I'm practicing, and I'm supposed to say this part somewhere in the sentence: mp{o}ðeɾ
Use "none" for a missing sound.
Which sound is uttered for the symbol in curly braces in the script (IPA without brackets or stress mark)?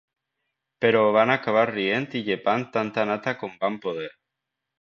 o